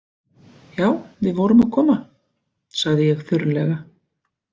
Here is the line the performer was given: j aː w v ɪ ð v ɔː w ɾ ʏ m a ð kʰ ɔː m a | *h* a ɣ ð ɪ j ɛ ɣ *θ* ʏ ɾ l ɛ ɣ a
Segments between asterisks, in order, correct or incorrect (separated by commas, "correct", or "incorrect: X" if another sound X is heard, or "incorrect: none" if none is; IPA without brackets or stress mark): incorrect: s, correct